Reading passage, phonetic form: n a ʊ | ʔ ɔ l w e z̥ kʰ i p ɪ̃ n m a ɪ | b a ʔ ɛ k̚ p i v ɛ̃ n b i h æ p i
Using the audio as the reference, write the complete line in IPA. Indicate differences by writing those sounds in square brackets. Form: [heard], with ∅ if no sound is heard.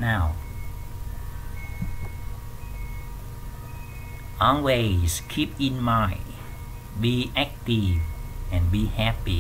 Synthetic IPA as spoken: n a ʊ | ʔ ɔ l w e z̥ kʰ i p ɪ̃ n m a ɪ | b [i] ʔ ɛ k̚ [t] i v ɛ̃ n b i h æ p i